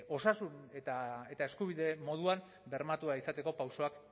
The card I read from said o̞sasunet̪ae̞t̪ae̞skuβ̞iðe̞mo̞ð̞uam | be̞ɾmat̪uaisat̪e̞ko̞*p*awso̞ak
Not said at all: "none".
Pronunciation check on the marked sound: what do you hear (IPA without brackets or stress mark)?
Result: p